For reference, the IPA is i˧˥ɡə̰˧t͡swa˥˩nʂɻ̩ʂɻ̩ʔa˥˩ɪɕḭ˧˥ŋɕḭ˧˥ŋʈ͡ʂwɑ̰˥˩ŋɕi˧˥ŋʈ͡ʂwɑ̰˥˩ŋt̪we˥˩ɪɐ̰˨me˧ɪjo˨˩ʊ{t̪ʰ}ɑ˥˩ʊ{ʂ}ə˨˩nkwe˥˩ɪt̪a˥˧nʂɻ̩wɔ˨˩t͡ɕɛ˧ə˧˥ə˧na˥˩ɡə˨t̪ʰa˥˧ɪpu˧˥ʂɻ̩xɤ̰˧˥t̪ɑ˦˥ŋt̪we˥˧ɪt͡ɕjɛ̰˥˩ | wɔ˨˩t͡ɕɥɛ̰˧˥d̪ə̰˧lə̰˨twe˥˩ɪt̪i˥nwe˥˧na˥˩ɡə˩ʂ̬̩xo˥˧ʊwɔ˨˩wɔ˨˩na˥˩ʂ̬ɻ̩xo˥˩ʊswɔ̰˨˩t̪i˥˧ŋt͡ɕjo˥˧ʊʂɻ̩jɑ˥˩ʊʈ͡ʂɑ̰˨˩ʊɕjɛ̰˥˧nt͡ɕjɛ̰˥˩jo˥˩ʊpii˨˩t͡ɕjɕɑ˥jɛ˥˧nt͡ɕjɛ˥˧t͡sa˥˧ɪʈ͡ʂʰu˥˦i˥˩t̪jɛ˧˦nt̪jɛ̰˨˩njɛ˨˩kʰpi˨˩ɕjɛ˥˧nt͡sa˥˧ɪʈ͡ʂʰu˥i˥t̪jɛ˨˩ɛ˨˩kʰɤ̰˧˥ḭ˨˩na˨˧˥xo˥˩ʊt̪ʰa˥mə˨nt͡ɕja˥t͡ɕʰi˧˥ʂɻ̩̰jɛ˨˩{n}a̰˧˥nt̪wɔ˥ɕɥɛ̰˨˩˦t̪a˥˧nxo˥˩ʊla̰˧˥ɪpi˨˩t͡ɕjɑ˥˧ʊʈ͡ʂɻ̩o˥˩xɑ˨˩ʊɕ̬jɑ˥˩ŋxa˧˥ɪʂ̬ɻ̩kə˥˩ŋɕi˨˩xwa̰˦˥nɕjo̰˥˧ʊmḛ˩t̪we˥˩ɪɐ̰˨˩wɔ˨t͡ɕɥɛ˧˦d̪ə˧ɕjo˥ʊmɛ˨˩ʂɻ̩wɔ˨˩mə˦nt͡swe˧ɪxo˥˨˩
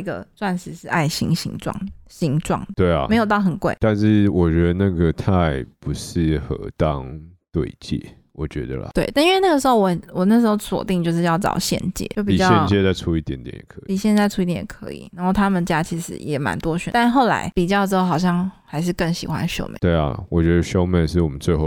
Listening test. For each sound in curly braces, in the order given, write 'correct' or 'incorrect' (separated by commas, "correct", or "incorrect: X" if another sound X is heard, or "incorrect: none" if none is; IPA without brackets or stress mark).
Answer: incorrect: t̪, incorrect: x, incorrect: m